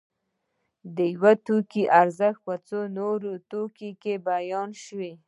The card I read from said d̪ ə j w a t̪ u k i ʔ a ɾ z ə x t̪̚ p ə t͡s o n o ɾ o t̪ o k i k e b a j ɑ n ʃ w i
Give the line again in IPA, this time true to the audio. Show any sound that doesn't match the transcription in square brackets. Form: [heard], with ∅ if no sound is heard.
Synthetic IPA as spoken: d̪ ə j w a t̪ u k i ʔ a ɾ z ə x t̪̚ p ə t͡s o n o ɾ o t̪ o k i k e b a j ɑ n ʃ w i

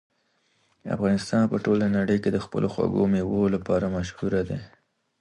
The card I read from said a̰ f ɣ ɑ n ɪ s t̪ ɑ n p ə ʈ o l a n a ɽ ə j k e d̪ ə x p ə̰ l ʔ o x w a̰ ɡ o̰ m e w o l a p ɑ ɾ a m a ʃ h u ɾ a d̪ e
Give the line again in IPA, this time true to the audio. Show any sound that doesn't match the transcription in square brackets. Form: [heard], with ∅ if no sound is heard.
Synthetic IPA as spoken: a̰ f ɣ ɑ n ɪ s t̪ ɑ n p ə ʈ o l a n a ɽ ə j k e d̪ ə x p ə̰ l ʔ o x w a̰ ɡ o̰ m e w o l a p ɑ ɾ a m a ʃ h u ɾ a d̪ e

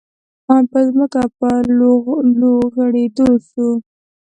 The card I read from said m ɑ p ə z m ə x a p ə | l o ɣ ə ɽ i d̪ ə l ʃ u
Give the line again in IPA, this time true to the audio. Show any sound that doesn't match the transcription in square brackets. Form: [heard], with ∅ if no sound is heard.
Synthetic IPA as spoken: m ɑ p ə z m ə [k] a p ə | l o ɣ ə ɽ [e] d̪ ə l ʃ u

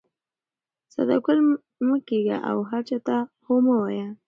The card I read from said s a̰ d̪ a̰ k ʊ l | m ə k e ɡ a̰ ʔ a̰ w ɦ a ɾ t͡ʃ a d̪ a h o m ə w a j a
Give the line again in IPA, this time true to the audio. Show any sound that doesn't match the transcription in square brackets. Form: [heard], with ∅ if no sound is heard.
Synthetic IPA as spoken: s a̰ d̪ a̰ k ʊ l | m ə k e ɡ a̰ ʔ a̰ w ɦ a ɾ t͡ʃ a [t̪] a h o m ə w a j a

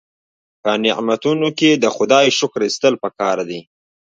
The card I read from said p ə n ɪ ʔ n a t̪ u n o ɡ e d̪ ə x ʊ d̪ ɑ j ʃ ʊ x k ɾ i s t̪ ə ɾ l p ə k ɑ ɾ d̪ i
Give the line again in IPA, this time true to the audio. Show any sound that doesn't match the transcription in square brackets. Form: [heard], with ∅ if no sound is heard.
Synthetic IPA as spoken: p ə n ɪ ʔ [m] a t̪ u n o [k] e d̪ ə x ʊ d̪ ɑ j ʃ ʊ [∅] k ɾ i s t̪ ə [∅] l p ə k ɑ ɾ d̪ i

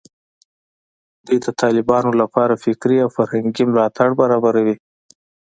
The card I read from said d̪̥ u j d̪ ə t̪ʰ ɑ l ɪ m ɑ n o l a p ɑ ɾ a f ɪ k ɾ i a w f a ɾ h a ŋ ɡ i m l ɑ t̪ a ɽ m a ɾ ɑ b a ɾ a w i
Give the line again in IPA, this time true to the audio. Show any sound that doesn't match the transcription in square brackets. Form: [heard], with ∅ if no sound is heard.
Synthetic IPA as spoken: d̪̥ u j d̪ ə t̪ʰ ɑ l ɪ [b] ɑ n o l a p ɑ ɾ a f ɪ k ɾ i a w f a ɾ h a ŋ ɡ i m l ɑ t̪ a ɽ [b] a ɾ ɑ b a ɾ a w i

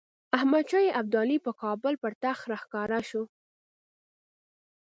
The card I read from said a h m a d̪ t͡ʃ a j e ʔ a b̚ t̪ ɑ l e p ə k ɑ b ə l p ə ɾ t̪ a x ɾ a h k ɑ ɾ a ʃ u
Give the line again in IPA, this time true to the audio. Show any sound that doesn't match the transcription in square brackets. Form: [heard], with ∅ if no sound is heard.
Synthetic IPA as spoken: a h m a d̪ t͡ʃ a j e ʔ a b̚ [d̪] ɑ l [i] p ə k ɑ b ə l p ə ɾ t̪ a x ɾ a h k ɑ ɾ a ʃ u

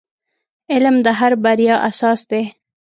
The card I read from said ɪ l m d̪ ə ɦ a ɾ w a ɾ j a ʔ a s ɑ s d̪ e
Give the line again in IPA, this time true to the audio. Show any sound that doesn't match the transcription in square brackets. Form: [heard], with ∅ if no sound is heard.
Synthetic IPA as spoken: ɪ l m d̪ ə ɦ a ɾ [b] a ɾ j [ɑ] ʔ a s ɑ s d̪ e

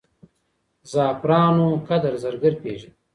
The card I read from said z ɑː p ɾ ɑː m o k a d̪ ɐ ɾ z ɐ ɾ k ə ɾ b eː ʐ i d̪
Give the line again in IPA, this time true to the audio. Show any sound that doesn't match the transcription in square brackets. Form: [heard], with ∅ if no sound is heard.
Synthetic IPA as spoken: z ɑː p ɾ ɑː [n] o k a d̪ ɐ ɾ z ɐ ɾ [ɡ] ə ɾ [p] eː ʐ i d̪

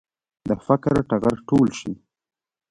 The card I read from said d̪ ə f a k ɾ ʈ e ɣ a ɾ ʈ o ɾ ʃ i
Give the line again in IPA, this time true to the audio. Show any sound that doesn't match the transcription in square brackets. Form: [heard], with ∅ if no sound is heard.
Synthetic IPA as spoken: d̪ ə f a k ɾ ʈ [a] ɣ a ɾ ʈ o [l] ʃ i

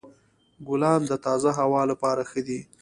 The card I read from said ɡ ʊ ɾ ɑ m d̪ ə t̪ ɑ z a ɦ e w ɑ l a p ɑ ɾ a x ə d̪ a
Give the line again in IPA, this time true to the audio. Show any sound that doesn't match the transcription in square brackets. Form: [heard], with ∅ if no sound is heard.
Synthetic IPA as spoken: ɡ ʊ [l] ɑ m d̪ ə t̪ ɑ z a ɦ [a] w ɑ l a p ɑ ɾ a x ə d̪ [i]

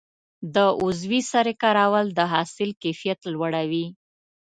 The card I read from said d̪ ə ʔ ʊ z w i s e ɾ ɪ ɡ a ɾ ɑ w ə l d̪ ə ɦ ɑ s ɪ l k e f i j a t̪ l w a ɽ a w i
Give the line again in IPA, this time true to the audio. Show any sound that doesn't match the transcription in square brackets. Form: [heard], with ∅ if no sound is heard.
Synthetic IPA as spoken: d̪ ə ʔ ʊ z w i s [a] ɾ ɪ [k] a ɾ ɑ w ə l d̪ ə ɦ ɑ s ɪ l k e f i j a t̪ l w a ɽ a w i

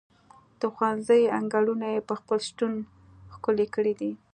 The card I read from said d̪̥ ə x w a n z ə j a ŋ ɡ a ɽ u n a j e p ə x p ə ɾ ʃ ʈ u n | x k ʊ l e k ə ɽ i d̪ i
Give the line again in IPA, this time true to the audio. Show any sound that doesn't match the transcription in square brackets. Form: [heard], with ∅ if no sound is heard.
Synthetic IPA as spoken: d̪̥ ə x w a n z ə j a ŋ ɡ a ɽ u n a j e p ə x p ə [l] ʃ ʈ u n | x k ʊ l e k ə ɽ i d̪ i

